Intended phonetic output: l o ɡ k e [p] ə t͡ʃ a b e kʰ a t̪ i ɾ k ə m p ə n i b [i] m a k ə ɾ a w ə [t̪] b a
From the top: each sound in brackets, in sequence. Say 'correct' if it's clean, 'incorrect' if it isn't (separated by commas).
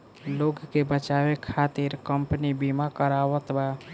incorrect, correct, correct